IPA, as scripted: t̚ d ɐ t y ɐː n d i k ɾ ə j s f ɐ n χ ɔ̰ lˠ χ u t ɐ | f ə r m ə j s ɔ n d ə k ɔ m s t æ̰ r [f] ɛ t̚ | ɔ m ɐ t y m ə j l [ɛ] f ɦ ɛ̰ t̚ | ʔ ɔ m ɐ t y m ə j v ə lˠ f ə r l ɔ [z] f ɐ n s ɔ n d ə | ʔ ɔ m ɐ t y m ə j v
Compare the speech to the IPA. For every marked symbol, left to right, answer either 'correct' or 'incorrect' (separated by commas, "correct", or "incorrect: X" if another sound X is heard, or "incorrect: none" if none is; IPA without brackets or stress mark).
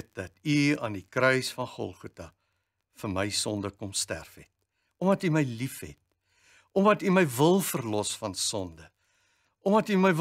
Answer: correct, incorrect: i, incorrect: s